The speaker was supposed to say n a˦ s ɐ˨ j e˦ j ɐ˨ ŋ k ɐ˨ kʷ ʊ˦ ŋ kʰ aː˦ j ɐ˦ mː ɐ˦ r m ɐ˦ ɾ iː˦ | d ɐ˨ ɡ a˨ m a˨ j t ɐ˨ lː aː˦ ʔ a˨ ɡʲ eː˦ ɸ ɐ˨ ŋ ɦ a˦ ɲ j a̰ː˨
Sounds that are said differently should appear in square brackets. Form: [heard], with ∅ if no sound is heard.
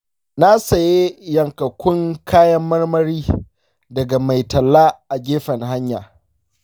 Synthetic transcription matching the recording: n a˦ s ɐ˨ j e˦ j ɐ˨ ŋ k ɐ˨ kʷ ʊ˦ ŋ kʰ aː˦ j ɐ˦ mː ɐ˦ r m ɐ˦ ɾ iː˦ | d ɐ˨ ɡ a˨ m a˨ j t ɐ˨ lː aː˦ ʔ a˨ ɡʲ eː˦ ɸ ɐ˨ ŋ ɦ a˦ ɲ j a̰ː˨